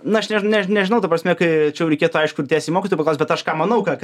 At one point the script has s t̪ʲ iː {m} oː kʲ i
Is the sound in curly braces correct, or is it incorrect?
correct